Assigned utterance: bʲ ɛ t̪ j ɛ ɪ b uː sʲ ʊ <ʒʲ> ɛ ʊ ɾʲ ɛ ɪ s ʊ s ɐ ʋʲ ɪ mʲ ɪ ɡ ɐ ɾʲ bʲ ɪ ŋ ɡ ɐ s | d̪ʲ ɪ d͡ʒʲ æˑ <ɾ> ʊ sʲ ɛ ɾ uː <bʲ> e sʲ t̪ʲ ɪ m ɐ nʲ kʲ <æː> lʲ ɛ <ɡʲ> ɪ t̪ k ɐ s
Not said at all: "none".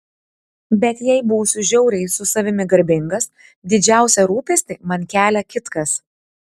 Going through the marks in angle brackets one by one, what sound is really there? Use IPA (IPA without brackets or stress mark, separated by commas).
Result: ʒʲ, none, pʲ, æː, kʲ